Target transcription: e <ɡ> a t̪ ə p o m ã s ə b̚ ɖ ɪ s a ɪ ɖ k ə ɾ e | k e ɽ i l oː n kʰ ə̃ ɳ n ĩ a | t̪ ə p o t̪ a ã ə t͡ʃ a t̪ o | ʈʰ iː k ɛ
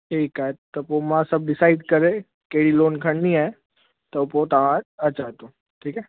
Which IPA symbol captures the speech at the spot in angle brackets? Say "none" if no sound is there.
k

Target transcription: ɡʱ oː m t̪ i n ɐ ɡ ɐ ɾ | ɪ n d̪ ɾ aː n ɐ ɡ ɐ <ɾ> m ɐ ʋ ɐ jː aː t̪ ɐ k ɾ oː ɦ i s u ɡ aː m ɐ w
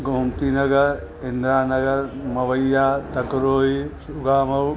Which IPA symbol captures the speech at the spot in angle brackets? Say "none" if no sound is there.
ɾ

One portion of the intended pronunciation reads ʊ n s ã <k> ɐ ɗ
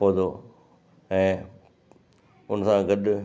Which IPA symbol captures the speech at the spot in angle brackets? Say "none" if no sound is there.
ɡ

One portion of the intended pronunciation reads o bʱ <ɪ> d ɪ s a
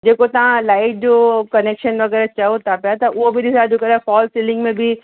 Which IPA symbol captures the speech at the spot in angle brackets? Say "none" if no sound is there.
i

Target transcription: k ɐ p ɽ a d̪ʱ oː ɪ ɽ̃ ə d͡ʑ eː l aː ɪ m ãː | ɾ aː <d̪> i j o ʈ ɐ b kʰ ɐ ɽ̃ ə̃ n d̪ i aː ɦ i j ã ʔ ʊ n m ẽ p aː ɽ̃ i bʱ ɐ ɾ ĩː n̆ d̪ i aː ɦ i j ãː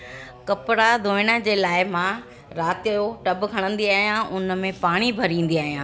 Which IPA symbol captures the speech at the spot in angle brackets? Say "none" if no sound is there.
t̪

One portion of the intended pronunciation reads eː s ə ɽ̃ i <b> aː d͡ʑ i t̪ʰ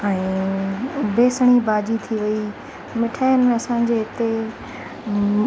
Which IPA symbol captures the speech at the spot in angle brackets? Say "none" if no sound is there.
b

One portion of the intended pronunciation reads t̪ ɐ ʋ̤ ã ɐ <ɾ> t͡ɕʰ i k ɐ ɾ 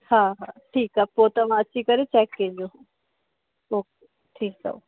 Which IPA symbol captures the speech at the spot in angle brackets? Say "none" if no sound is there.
none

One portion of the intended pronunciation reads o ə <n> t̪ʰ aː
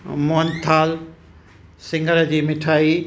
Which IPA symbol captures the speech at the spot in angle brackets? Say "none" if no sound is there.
n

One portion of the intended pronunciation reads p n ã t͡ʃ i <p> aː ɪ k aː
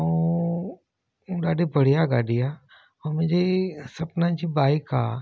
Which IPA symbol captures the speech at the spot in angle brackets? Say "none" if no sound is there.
b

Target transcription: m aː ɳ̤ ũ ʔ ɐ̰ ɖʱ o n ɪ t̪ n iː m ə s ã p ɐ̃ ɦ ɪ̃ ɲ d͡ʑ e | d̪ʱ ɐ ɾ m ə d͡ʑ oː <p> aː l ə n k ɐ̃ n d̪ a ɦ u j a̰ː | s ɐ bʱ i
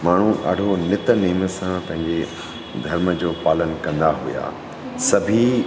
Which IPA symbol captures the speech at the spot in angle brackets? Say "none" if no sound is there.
p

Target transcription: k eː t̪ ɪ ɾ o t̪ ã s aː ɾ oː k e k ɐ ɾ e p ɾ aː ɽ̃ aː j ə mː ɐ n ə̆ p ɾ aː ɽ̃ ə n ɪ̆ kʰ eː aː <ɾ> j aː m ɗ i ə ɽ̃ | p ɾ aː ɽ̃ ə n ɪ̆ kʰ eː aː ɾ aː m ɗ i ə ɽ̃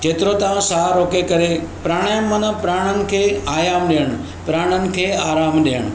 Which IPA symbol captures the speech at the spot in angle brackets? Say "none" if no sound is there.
none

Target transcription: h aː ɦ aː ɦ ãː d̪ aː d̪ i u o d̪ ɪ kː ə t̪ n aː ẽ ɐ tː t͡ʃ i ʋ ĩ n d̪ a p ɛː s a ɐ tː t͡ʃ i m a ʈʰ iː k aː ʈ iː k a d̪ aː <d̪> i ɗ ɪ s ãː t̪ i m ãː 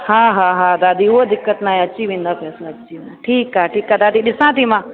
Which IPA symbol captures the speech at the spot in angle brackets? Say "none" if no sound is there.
d̪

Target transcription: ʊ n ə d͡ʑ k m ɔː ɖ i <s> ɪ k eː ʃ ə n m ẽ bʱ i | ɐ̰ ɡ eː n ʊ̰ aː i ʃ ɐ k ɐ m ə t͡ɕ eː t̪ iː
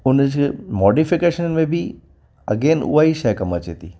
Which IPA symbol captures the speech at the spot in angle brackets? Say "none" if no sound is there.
f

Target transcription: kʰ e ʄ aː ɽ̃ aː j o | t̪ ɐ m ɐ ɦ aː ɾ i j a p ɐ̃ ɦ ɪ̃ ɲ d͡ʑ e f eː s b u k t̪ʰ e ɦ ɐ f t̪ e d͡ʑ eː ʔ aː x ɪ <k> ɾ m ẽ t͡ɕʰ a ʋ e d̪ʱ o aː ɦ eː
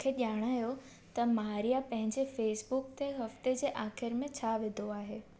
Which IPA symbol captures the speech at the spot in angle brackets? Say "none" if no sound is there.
none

